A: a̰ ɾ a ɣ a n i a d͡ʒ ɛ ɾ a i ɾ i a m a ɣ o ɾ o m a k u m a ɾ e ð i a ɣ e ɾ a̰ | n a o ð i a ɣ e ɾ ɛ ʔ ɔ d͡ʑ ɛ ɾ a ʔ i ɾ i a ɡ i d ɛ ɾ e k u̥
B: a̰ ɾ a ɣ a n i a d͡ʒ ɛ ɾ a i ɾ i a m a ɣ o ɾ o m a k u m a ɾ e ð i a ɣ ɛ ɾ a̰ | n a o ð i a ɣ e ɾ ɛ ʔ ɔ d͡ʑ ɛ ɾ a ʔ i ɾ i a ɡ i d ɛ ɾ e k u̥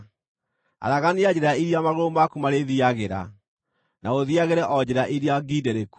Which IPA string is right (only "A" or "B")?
A